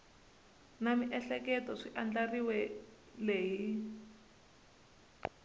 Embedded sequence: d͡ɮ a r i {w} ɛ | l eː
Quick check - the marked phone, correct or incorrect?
correct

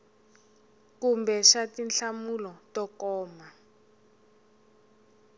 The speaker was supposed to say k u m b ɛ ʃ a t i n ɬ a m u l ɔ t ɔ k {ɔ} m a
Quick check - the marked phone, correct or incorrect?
incorrect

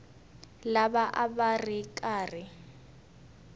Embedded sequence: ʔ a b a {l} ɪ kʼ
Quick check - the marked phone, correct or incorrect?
incorrect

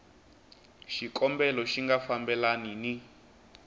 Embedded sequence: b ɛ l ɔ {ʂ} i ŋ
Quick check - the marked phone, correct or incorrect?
incorrect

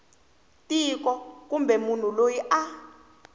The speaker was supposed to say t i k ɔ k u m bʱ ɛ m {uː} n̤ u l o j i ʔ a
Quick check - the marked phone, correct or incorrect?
incorrect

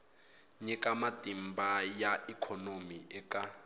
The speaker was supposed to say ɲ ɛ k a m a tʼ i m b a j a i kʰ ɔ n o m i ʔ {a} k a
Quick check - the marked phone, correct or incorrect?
incorrect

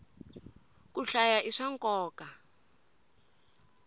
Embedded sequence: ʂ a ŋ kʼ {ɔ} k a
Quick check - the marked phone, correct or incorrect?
incorrect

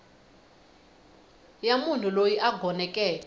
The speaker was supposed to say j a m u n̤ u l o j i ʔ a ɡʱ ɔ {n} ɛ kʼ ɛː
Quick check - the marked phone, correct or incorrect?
correct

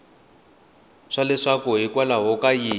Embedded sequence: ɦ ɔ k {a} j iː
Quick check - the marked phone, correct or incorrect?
correct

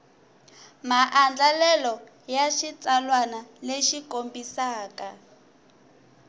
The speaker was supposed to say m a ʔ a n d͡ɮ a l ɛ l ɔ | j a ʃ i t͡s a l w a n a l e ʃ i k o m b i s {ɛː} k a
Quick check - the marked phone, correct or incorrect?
incorrect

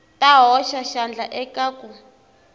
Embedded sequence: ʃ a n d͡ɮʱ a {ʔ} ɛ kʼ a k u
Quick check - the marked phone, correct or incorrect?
correct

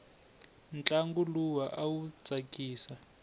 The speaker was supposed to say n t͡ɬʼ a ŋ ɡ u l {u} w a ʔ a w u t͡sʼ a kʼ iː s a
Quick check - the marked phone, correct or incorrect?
correct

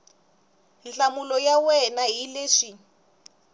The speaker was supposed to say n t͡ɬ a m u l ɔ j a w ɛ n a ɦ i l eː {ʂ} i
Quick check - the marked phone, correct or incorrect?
correct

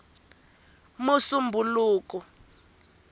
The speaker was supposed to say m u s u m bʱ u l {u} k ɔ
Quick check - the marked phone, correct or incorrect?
incorrect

